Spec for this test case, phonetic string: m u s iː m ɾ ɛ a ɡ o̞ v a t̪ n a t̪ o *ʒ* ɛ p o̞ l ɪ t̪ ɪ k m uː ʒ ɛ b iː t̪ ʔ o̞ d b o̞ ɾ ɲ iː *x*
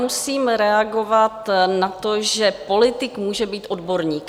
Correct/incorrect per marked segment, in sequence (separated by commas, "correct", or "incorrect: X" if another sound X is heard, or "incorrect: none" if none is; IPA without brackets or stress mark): correct, incorrect: k